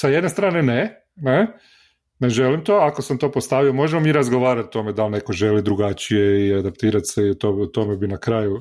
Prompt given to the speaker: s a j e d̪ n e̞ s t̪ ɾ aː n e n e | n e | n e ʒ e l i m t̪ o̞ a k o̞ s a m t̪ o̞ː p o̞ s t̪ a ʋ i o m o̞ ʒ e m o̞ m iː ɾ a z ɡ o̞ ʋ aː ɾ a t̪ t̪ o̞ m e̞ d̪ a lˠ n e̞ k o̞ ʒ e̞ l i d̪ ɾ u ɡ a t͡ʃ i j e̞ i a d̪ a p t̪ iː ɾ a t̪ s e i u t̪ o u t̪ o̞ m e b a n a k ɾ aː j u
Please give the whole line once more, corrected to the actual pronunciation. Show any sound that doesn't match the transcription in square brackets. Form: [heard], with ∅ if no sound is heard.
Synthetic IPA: s a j e d̪ n e̞ s t̪ ɾ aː n e n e | n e | n e ʒ e l i m t̪ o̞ a k o̞ s a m t̪ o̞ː p o̞ s t̪ a ʋ i o m o̞ ʒ e m o̞ m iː ɾ a z ɡ o̞ ʋ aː ɾ a t̪ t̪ o̞ m e̞ d̪ a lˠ n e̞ k o̞ ʒ e̞ l i d̪ ɾ u ɡ a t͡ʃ i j e̞ i a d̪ a p t̪ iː ɾ a t̪ s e i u t̪ o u t̪ o̞ m e b [i] n a k ɾ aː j u